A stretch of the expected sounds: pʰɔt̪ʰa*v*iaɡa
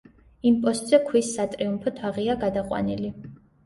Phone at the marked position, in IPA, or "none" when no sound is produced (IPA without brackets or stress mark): ʁ